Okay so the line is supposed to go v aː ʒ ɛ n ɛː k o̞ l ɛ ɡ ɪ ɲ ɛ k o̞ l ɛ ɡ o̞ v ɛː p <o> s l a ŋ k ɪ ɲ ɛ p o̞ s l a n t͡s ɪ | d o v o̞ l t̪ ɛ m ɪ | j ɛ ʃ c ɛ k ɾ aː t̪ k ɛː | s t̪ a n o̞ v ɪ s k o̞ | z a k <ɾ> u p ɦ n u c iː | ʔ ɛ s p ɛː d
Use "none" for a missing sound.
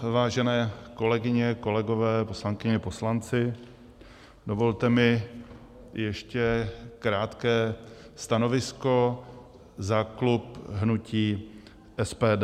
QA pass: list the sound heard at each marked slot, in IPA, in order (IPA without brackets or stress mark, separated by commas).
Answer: o, l